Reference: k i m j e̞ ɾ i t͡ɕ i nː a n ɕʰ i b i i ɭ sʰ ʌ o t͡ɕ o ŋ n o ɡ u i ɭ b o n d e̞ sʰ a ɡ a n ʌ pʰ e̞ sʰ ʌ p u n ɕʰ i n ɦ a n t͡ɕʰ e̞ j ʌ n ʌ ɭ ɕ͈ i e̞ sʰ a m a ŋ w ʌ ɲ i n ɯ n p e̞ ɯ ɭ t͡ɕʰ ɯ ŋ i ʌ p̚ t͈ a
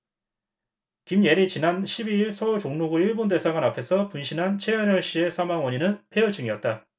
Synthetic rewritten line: k i m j e̞ ɾ i t͡ɕ i n a n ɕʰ i b i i ɭ sʰ ʌ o t͡ɕ o ŋ n o ɡ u i ɭ b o n d e̞ sʰ a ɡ a n a pʰ e̞ sʰ ʌ p u n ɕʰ i n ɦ a n t͡ɕʰ e̞ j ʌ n ʌ ɭ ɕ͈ i e̞ sʰ a m a ŋ w ʌ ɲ i n ɯ n pʰ e̞ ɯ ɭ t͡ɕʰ ɯ ŋ i ʌ t̚ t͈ a